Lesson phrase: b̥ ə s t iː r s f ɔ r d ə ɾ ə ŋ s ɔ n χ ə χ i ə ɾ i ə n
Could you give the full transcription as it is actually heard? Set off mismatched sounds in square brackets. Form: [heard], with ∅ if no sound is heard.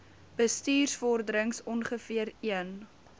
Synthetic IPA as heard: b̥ ə s t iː r s f ɔ r d ə ɾ ə ŋ s ɔ n χ ə [f] i ə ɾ i ə n